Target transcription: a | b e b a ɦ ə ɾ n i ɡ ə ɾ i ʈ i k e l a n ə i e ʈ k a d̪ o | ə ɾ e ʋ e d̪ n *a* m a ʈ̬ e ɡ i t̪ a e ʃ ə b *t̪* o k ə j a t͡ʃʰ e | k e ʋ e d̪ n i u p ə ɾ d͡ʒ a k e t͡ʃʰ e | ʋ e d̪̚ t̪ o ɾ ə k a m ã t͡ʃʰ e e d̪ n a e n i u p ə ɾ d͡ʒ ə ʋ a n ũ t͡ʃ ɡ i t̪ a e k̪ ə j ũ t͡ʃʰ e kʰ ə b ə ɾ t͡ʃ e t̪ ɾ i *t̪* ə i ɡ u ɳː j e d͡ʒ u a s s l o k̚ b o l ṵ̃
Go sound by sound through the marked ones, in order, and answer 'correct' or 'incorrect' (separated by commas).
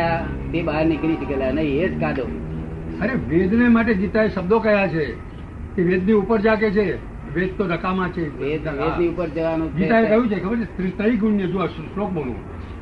incorrect, incorrect, correct